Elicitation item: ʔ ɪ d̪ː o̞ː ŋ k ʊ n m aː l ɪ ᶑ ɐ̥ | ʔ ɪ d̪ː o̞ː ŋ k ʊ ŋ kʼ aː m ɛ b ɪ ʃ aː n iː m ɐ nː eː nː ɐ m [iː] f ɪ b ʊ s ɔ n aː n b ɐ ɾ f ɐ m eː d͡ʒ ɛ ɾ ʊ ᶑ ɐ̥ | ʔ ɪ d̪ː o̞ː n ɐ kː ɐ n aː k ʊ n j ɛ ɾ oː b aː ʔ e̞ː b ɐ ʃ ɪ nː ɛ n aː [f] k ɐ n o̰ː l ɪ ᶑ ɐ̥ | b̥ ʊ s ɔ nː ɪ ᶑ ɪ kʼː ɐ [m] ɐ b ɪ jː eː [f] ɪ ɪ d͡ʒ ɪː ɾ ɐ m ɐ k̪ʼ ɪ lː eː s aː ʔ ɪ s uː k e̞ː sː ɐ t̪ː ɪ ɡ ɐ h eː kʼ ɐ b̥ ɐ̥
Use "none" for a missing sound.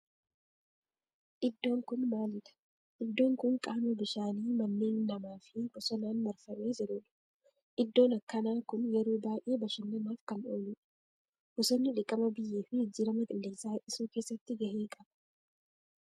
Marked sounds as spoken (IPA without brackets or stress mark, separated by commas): aː, f, m, f